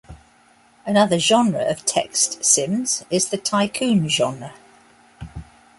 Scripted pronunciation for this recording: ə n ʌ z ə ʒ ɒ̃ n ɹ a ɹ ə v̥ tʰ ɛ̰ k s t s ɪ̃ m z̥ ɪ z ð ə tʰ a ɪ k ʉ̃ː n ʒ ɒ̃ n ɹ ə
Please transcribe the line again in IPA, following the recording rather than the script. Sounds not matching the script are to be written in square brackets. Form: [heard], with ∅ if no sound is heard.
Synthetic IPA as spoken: ə n ʌ [ð] ə ʒ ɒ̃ n ɹ [ə] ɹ ə v̥ tʰ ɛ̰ k s t s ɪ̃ m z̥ ɪ z ð ə tʰ a ɪ [kʰ] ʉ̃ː n ʒ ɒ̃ n ɹ ə